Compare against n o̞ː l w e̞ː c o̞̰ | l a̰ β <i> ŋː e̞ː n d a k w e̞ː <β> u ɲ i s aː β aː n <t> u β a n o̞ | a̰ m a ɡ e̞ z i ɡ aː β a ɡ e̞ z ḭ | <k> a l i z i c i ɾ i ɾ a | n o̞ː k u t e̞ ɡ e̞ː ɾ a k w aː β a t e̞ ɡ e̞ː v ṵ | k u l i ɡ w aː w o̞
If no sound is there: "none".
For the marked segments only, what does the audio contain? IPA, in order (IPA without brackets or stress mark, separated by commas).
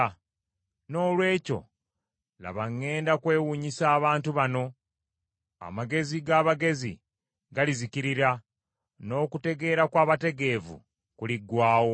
a, w, t, ɡ